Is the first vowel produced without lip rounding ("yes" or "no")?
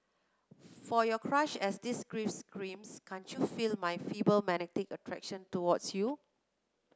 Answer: no